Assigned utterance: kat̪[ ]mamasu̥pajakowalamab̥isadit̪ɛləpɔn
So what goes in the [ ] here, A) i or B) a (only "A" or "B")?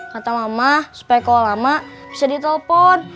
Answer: B